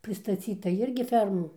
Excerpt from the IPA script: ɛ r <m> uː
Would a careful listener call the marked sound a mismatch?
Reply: no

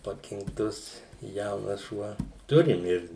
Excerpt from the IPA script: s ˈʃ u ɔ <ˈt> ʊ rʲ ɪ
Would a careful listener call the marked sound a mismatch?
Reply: no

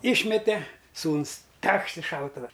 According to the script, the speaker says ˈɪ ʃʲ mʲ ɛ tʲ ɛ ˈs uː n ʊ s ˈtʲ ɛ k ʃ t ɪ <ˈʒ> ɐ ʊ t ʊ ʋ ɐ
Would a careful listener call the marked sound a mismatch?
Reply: yes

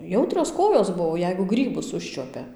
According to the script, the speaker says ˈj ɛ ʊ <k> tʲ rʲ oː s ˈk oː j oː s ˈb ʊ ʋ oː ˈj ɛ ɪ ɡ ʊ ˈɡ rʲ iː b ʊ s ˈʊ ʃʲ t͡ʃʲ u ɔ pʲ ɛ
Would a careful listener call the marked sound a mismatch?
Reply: yes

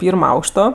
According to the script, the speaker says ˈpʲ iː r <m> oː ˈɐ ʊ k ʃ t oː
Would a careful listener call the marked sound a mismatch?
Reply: no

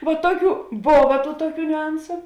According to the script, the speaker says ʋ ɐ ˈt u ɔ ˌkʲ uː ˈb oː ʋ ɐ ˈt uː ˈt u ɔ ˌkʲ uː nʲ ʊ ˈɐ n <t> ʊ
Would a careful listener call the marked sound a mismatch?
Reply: yes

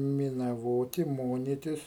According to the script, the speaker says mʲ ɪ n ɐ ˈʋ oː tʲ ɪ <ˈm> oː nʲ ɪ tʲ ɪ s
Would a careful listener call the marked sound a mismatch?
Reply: no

